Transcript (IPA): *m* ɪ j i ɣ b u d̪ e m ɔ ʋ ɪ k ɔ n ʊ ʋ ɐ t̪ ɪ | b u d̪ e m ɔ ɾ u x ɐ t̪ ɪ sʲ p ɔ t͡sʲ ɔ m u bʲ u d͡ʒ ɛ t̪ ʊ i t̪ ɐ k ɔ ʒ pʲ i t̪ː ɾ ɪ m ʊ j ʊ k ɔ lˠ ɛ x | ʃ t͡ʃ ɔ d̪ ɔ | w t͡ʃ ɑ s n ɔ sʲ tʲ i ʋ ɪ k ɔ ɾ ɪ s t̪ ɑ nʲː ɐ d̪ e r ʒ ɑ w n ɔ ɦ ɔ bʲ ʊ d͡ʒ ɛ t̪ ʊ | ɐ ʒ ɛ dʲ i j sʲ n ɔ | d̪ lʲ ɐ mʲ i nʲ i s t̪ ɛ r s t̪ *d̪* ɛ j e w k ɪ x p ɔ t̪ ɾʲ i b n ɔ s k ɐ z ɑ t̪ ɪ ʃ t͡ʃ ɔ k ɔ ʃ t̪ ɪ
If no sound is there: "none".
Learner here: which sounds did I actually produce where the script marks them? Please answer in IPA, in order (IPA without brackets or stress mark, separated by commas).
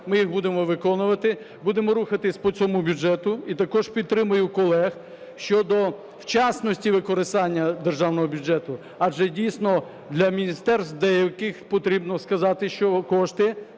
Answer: m, d̪